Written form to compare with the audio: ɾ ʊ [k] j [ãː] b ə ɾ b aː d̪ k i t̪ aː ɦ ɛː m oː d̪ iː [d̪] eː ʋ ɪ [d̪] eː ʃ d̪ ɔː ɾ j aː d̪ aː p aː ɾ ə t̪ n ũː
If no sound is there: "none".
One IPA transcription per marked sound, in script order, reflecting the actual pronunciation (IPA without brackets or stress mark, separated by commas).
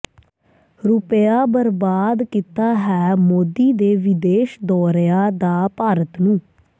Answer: p, aː, d̪, d̪